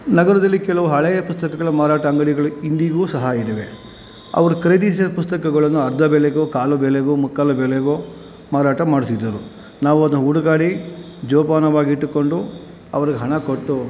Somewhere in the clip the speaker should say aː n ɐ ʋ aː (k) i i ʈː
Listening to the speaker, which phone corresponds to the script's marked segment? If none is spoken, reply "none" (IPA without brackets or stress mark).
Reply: ɡ